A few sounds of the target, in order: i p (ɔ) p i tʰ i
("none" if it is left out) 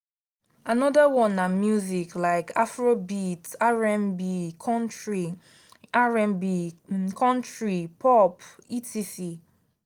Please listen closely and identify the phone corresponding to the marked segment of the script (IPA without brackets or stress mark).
ɔ